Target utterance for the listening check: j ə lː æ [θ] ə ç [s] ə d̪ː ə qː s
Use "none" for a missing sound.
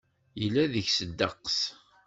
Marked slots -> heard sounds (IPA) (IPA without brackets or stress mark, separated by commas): ð, s